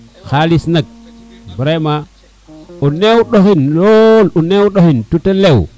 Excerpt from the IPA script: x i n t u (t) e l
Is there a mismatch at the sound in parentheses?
no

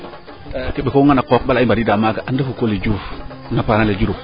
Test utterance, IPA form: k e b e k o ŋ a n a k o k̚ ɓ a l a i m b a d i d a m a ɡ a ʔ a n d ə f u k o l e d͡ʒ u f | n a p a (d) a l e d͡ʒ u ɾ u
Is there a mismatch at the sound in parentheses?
yes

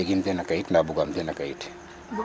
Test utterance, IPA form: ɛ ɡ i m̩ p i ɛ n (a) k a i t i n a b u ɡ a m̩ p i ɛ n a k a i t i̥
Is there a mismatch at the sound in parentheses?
no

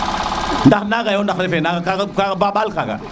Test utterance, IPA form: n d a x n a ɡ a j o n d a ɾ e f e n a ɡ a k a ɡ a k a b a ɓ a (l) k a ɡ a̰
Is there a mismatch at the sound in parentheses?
no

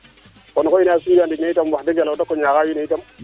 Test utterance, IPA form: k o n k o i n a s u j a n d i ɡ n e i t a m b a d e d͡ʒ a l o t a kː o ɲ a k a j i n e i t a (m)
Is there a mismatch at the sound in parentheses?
no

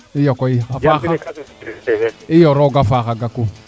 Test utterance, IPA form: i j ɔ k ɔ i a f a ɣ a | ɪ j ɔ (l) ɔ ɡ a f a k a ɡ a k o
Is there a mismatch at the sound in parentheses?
yes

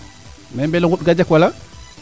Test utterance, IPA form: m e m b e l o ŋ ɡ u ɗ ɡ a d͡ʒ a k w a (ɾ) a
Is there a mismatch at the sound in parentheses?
yes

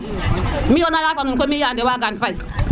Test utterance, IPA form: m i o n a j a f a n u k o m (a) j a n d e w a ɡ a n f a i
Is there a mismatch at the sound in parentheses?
yes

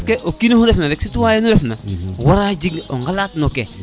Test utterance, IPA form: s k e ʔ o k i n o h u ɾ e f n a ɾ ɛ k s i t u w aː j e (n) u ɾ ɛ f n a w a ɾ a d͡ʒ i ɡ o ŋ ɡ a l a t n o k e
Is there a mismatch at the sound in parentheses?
no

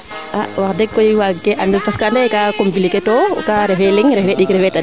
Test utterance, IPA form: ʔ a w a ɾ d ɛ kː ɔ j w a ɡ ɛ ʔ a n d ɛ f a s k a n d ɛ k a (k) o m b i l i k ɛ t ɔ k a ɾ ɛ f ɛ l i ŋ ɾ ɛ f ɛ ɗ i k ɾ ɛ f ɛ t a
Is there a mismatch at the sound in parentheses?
no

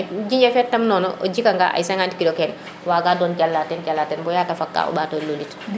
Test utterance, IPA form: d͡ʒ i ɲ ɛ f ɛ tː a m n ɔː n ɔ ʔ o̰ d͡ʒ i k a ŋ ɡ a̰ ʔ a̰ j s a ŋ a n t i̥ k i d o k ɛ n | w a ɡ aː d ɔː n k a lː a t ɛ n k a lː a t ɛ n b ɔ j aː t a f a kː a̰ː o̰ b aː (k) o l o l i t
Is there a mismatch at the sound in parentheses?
yes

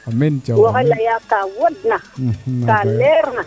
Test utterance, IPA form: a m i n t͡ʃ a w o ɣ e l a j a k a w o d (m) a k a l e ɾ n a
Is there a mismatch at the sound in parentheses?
yes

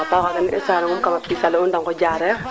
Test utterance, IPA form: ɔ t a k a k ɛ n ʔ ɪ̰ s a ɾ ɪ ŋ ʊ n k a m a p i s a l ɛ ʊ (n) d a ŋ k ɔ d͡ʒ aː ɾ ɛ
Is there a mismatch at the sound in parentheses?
no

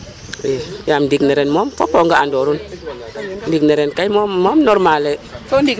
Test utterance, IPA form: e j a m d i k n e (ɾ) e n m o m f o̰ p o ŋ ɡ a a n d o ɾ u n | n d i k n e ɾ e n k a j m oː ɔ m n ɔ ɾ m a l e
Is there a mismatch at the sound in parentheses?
no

